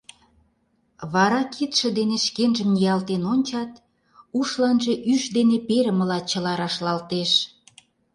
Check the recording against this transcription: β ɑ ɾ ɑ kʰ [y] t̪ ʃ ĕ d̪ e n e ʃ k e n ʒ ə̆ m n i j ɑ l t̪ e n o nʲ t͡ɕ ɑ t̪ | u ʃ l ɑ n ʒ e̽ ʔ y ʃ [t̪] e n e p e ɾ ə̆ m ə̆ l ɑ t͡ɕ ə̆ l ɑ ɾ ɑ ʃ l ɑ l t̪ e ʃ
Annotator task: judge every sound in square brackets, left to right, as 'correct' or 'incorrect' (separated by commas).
incorrect, incorrect